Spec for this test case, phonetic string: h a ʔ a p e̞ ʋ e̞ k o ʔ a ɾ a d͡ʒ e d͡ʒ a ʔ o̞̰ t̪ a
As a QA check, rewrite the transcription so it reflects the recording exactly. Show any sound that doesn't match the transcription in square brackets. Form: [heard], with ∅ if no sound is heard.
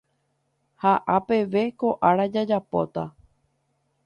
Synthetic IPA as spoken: h a ʔ a p e̞ ʋ e̞ k o ʔ a ɾ a d͡ʒ [a] d͡ʒ a [p] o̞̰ t̪ a